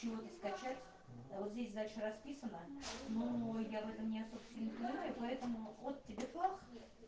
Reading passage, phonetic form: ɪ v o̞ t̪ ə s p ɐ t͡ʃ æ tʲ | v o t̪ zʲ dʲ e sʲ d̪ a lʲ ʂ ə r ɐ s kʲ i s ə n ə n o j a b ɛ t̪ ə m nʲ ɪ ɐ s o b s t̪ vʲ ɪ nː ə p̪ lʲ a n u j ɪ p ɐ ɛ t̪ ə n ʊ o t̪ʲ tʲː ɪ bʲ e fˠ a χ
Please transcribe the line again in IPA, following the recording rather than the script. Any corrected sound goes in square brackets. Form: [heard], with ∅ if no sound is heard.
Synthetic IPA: ɪ v o̞ t̪ ə s [k] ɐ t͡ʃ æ tʲ | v o t̪ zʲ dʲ e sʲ d̪ a lʲ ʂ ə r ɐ s [pʲ] i s ə n ə n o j a [v] ɛ t̪ ə m nʲ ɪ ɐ s o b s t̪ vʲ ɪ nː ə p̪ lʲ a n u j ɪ p ɐ ɛ t̪ ə [m] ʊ o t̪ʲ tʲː ɪ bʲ e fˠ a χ